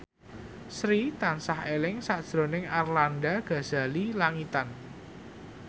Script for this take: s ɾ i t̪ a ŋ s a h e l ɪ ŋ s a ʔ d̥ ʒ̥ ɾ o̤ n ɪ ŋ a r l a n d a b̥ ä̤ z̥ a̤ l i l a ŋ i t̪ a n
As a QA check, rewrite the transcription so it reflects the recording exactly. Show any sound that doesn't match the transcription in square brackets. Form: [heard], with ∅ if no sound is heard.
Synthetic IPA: s ɾ i t̪ a [n] s a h e l ɪ ŋ s a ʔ d̥ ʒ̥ ɾ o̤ n ɪ ŋ a r l a n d a [ɡ̥] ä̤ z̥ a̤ l i l a ŋ i t̪ a n